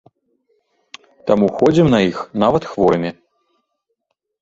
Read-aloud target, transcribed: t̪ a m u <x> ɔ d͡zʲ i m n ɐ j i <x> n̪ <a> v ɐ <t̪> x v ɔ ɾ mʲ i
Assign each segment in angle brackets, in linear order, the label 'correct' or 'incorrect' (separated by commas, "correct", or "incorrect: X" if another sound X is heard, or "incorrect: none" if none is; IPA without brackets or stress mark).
correct, correct, correct, correct